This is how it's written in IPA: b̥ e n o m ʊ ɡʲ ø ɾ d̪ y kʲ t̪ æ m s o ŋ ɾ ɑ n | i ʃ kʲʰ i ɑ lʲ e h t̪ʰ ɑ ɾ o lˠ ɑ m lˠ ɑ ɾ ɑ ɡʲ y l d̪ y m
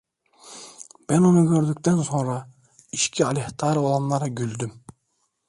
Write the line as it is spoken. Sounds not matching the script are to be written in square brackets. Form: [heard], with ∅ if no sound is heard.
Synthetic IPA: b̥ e n o [n] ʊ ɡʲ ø ɾ d̪ y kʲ t̪ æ [n] s o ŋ ɾ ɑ [∅] | i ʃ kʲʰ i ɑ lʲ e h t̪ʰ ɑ ɾ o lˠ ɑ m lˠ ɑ ɾ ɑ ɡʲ y l d̪ y m